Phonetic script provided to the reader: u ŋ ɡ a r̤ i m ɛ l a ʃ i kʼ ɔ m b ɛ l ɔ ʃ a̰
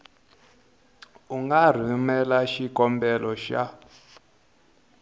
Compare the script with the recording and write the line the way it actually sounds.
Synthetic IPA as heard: u ŋ ɡ a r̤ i m ɛ l a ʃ i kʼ ɔ m b ɛ l ɔ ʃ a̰